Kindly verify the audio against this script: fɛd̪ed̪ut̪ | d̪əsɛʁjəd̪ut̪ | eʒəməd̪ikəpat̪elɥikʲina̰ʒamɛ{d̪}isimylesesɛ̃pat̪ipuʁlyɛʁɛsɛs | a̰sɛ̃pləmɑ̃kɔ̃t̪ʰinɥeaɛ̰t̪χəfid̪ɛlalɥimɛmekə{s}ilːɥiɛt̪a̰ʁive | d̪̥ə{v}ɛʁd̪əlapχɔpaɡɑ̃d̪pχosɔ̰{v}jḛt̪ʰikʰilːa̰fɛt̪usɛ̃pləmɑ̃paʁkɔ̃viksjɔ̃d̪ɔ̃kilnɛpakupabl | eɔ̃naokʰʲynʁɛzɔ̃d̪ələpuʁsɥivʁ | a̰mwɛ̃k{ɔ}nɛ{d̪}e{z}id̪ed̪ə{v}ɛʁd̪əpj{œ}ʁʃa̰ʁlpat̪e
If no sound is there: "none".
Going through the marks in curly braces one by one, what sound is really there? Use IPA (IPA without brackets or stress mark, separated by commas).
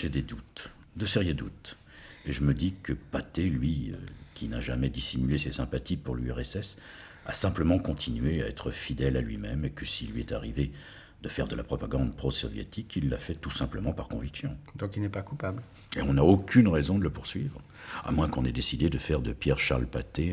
d̪, s, f, v, ɔ̃, d̪, s, f, ɛ